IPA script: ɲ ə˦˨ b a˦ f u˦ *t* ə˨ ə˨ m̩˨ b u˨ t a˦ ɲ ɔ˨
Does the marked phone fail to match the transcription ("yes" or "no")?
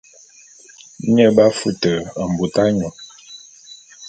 no